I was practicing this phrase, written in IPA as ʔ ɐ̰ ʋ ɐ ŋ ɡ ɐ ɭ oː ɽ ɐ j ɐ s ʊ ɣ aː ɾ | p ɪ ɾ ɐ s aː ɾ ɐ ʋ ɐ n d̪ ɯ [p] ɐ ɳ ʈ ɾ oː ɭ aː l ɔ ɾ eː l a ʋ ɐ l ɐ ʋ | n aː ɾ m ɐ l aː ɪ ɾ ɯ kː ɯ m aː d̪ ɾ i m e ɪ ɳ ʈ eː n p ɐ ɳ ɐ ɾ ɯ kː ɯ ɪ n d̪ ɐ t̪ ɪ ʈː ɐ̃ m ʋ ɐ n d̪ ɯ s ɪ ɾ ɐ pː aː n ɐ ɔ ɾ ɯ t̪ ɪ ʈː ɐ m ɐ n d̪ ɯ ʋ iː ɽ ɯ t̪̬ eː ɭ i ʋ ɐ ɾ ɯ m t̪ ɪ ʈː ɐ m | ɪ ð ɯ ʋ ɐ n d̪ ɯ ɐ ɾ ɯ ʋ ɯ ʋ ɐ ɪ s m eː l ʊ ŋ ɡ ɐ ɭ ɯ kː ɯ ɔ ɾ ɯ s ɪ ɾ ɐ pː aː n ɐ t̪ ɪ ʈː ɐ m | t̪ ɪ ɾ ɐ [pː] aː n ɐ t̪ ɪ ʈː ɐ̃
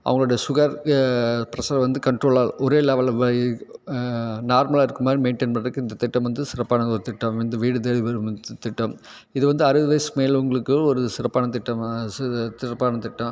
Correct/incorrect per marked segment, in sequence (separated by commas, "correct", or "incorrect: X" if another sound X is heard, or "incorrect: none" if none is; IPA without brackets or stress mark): incorrect: k, correct